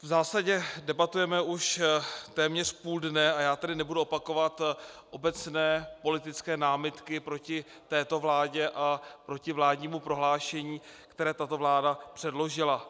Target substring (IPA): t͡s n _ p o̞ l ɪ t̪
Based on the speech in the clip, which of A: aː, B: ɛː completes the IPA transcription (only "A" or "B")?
B